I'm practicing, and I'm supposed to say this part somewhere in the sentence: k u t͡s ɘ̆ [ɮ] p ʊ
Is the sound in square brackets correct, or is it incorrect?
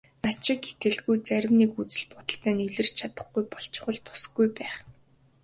correct